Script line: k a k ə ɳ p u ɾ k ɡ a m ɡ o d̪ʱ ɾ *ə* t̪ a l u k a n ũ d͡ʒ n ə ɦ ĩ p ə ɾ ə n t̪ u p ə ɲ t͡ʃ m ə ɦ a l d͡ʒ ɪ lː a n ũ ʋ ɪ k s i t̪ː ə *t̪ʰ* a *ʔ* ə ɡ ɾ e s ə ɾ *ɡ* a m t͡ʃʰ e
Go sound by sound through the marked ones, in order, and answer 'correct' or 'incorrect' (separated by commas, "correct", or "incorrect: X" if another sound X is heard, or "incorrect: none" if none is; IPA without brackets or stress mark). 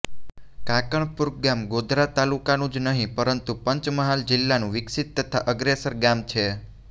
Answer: incorrect: a, correct, correct, correct